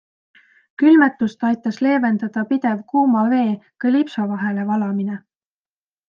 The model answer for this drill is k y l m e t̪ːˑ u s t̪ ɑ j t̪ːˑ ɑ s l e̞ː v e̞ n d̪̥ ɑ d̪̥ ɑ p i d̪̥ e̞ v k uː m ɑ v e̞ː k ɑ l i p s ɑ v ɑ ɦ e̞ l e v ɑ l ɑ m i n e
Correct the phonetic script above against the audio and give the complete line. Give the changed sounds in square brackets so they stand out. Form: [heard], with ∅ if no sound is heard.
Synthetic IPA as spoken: k y l m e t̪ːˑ u s t̪ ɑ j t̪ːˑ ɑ s l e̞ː v e̞ n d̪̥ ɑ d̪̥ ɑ p i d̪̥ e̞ v k uː m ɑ v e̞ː k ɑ l i p s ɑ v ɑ ɦ e̞ l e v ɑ l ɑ m i n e